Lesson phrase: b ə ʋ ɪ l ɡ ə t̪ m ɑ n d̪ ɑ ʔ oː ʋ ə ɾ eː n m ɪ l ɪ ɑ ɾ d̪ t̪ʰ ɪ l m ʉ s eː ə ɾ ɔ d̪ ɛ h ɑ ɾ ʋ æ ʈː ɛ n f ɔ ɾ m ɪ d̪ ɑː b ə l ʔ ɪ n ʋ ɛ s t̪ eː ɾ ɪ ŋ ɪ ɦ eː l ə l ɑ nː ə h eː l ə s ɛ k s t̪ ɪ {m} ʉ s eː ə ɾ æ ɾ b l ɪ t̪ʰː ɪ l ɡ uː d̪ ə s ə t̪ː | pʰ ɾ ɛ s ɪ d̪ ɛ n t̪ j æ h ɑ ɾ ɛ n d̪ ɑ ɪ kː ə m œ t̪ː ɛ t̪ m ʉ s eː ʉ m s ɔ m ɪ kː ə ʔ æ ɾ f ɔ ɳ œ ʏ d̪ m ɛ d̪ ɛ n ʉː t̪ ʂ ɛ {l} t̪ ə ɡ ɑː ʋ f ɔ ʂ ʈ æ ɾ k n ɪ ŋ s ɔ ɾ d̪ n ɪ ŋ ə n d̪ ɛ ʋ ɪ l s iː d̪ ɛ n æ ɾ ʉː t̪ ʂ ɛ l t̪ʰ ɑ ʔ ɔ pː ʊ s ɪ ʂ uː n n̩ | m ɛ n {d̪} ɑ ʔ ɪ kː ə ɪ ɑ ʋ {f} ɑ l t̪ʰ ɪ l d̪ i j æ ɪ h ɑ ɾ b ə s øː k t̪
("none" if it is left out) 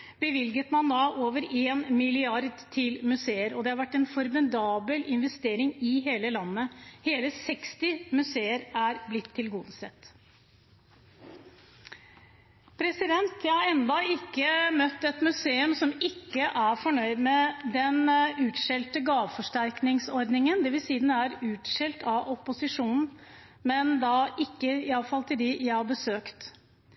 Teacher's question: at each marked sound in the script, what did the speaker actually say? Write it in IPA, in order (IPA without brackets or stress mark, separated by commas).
m, l, d̪, f